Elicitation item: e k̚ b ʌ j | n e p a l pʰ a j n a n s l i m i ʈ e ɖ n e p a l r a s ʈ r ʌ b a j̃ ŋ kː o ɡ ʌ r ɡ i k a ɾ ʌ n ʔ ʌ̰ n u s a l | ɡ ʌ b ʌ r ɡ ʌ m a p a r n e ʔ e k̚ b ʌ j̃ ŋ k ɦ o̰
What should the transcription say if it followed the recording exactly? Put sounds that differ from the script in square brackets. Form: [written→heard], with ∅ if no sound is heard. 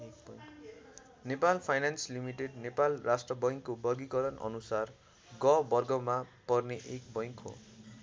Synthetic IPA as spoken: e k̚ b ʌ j | n e p a l pʰ a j n a n s l i m i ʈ e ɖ n e p a l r a s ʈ r ʌ b [a→ʌ] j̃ ŋ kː o [ɡ→b] ʌ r ɡ i k [a→ʌ] ɾ ʌ n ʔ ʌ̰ n u s a [l→r] | ɡ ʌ b ʌ r ɡ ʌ m a p [a→ʌ] r n e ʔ e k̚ b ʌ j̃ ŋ k ɦ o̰